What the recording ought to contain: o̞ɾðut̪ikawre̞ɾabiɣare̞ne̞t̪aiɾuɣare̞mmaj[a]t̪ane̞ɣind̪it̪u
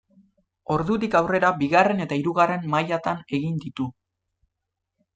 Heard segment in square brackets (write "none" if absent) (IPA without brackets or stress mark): a